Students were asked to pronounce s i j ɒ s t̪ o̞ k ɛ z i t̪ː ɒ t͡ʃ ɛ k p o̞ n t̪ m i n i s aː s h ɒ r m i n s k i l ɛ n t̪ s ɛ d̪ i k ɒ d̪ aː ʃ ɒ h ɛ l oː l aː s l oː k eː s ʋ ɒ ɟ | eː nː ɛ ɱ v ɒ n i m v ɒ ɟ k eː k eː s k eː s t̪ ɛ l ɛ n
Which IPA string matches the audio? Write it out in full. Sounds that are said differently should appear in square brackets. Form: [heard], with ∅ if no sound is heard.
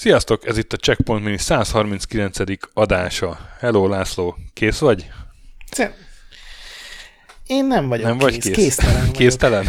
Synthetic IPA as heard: s i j ɒ s t̪ o̞ k ɛ z i t̪ː ɒ t͡ʃ ɛ k p o̞ n t̪ m i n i s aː s h ɒ r m i n s k i l ɛ n t̪ s ɛ d̪ i k ɒ d̪ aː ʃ ɒ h ɛ l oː l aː s l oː k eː s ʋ ɒ ɟ | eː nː ɛ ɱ v ɒ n [ɛ] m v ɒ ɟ k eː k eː s k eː s t̪ ɛ l ɛ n